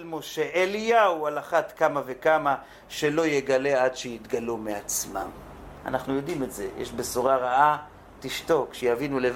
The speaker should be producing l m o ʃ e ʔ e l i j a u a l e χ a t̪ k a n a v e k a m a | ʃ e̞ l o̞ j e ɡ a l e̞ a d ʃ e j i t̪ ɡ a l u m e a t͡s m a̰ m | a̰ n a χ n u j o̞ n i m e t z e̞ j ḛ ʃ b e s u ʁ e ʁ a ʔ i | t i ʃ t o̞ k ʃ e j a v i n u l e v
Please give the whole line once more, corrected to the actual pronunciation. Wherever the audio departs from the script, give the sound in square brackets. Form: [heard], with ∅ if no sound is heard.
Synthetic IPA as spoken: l m o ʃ e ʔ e l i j a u a l [a] χ a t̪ k a [m] a v e k a m a | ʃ e̞ l o̞ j e ɡ a l e̞ a d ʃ e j i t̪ ɡ a l u m e a t͡s m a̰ m | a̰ n a χ n u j o̞ [d] i m e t z e̞ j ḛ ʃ b e s u ʁ [a] ʁ a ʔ [a] | t i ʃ t o̞ k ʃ e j a v i n u l e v